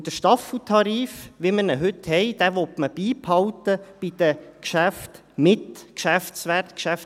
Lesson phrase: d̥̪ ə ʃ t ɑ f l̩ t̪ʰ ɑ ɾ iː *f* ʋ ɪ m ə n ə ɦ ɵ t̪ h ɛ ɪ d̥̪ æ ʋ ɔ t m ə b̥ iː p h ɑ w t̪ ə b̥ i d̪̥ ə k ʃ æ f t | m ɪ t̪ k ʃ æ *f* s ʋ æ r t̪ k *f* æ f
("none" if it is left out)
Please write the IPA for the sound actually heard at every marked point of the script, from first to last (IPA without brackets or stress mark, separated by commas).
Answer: f, f, ʃ